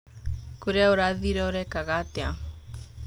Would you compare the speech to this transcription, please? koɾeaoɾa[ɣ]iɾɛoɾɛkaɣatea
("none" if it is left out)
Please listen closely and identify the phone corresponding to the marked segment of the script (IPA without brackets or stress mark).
ð